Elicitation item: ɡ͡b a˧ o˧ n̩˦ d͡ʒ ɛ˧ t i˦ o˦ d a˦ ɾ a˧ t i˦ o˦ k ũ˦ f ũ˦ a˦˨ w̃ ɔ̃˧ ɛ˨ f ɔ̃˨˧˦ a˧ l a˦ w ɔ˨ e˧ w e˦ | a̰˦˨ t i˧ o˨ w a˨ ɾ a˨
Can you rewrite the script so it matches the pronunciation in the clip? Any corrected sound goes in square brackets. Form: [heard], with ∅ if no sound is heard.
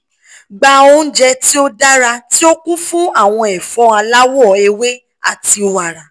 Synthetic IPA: ɡ͡b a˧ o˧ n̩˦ d͡ʒ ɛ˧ t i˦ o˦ d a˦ ɾ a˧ t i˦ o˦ k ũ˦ f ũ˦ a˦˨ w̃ ɔ̃˧ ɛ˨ f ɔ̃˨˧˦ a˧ l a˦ w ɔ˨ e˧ w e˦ | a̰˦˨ t i˧ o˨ w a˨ ɾ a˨